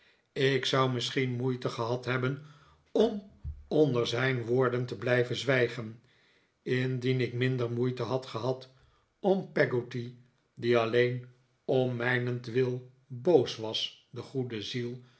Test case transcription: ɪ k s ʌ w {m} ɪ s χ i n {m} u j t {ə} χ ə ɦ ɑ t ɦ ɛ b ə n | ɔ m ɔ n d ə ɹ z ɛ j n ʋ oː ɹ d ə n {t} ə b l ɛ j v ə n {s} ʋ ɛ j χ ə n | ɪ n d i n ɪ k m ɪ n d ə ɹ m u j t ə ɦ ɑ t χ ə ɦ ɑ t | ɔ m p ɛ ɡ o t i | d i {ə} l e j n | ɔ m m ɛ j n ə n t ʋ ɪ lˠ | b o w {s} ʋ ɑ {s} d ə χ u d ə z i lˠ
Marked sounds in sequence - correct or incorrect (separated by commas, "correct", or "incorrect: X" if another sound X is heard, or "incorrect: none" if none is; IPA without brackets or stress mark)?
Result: correct, correct, correct, correct, incorrect: z, incorrect: ɑ, correct, correct